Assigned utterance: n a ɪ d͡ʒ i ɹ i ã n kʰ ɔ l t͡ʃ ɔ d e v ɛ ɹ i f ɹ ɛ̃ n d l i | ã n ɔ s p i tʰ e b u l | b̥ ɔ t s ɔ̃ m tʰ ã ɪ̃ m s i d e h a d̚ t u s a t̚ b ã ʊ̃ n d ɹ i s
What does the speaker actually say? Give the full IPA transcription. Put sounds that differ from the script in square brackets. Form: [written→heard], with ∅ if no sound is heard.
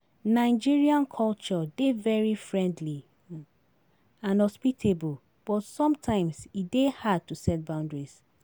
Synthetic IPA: n a ɪ d͡ʒ i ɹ i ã n kʰ ɔ l t͡ʃ ɔ d e v ɛ ɹ i f ɹ ɛ̃ n d l i | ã n ɔ s p i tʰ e b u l | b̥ ɔ t s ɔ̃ m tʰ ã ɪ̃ m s i d e h a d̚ t u s [a→ɛ] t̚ b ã ʊ̃ n d ɹ i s

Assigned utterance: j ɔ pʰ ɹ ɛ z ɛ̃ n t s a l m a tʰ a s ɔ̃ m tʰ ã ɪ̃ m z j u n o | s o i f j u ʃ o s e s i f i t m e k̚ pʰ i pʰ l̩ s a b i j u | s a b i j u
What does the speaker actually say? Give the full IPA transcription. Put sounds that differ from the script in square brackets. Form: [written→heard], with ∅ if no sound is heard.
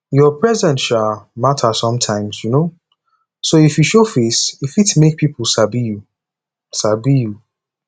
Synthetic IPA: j ɔ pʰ ɹ ɛ z ɛ̃ n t [s→ʃ] a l m a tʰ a s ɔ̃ m tʰ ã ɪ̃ m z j u n o | s o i f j u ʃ o [s→f] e s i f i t m e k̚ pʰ i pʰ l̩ s a b i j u | s a b i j u

